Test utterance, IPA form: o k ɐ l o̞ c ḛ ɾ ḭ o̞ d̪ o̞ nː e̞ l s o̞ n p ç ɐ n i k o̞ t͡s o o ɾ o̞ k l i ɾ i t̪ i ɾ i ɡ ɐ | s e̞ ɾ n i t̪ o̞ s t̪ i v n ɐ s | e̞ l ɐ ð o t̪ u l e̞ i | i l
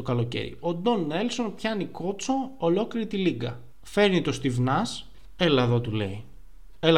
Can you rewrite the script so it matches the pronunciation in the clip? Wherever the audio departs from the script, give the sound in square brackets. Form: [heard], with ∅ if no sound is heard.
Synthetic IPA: o k ɐ l o̞ c ḛ ɾ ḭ o̞ d̪ o̞ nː e̞ l s o̞ n p ç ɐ n i k o̞ t͡s o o [l] o̞ k l i ɾ i t̪ i [l] i ɡ ɐ | [f] e̞ ɾ n i t̪ o̞ s t̪ i v n ɐ s | e̞ l ɐ ð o t̪ u l e̞ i | [e] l